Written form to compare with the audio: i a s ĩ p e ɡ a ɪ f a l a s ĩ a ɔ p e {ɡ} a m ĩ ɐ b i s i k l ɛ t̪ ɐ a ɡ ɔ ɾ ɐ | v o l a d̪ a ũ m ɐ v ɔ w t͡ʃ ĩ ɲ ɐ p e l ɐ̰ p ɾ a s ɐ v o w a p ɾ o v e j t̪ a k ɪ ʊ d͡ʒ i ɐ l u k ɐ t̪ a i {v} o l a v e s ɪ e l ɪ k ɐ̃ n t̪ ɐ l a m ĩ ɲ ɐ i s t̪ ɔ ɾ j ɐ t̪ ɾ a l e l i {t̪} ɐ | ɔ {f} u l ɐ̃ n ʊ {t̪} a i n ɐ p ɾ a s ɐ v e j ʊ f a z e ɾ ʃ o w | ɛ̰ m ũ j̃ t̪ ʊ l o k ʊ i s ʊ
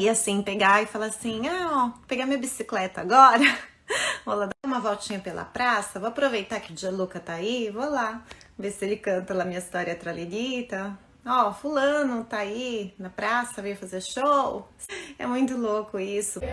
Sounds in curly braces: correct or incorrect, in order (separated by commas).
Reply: correct, correct, correct, correct, correct